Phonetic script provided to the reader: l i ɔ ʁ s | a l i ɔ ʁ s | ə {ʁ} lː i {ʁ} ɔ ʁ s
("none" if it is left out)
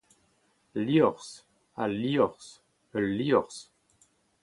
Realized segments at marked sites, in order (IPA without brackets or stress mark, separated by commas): none, none